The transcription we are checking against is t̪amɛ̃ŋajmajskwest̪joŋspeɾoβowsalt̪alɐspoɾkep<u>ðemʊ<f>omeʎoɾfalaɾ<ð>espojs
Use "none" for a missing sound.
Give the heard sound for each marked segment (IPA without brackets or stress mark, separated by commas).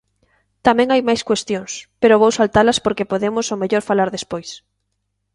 o, s, ð